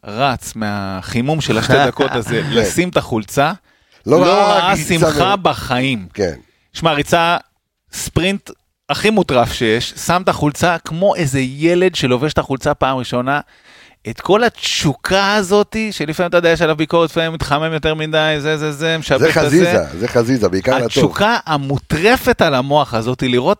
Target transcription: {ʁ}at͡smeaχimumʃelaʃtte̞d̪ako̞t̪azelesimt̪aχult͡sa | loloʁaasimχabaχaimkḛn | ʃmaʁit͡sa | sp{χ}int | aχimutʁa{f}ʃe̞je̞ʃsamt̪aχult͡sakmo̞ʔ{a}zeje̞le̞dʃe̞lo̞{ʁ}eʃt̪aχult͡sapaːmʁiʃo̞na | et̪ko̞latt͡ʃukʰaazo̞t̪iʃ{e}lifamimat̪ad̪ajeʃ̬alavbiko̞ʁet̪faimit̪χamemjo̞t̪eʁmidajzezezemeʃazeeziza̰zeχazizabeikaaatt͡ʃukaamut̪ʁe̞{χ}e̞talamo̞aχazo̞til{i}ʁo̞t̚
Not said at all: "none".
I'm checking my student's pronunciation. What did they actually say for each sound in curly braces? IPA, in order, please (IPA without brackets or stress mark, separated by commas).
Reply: ʁ, ʁ, f, e, v, e, f, i